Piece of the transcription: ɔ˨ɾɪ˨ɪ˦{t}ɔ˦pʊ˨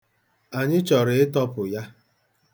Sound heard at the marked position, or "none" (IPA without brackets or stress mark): t